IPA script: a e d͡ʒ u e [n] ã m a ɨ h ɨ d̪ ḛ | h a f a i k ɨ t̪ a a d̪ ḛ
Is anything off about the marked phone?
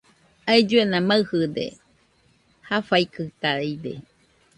no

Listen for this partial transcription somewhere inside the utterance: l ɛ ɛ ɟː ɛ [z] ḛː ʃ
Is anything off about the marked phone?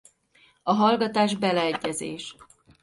no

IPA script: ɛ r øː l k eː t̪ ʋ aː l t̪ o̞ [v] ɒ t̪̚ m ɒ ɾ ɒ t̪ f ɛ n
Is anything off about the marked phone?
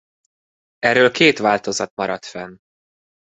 yes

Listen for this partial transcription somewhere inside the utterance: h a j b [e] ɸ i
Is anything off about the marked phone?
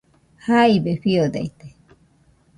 no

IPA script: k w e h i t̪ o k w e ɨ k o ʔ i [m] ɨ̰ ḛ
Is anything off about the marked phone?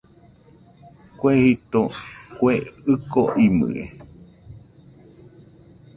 no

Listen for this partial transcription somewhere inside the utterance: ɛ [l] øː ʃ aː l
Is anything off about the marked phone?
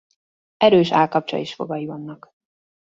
yes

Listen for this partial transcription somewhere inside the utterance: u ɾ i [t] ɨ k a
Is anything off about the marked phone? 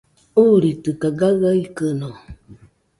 no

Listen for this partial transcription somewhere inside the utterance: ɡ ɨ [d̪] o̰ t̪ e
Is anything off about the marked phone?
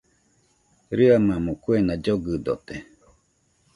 no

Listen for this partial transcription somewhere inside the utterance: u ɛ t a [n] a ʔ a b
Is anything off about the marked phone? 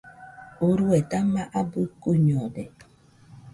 yes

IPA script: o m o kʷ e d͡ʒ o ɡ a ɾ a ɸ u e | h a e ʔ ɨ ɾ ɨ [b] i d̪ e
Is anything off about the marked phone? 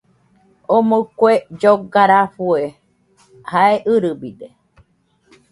no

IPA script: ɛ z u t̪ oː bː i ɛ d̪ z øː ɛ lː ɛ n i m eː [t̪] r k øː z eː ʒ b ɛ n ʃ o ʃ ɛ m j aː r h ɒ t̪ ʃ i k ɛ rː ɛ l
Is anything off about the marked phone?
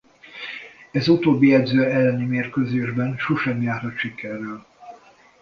yes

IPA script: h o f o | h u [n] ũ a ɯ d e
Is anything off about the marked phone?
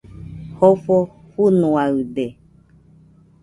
no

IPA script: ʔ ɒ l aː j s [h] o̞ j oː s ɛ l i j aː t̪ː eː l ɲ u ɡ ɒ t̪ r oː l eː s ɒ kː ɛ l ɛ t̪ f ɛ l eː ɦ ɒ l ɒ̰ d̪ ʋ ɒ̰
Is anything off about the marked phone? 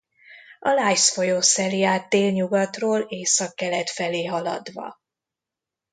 yes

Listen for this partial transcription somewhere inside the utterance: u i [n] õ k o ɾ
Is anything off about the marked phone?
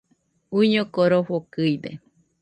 yes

